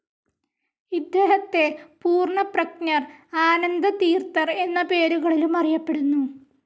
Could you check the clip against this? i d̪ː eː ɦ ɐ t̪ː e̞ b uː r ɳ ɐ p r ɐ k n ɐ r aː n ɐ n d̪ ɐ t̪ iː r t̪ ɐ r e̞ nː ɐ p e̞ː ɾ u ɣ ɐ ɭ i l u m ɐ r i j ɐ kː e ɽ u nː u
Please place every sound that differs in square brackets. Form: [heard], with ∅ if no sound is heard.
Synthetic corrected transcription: i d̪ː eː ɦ ɐ t̪ː e̞ [p] uː r ɳ ɐ p r ɐ k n ɐ r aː n ɐ n d̪ ɐ t̪ iː r t̪ ɐ r e̞ nː ɐ p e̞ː ɾ u ɣ ɐ ɭ i l u m ɐ r i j ɐ [pː] e ɽ u nː u

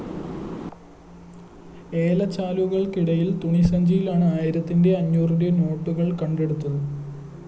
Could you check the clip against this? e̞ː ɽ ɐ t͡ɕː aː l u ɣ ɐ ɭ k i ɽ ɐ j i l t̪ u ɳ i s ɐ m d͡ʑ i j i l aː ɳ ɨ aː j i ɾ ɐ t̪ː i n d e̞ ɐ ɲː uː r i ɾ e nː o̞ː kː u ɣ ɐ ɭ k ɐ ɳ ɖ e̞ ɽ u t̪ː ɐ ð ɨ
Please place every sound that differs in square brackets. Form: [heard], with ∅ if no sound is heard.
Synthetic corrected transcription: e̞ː [l] ɐ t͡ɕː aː l u ɣ ɐ ɭ k i ɽ ɐ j i l t̪ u ɳ i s ɐ [ɲ] d͡ʑ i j i l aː ɳ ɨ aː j i ɾ ɐ t̪ː i n d e̞ ɐ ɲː uː r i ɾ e [n] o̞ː [ʈː] u ɣ ɐ ɭ k ɐ ɳ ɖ e̞ ɽ u t̪ː ɐ ð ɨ

